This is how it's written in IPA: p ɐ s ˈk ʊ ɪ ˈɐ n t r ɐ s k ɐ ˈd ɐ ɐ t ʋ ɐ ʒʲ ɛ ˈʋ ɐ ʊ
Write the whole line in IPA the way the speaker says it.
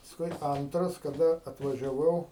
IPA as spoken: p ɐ s ˈk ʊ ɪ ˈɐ n t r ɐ s k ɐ ˈd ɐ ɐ t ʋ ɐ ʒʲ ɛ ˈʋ ɐ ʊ